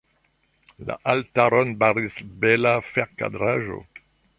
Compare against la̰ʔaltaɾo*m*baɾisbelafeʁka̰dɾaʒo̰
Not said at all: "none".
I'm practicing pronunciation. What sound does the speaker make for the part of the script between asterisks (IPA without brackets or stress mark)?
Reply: n